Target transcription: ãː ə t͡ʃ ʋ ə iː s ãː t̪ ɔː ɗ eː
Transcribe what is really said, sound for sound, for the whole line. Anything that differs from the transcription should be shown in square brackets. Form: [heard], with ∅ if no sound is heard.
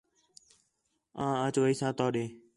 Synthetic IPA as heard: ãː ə t͡ʃ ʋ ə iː s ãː t̪ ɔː ɗ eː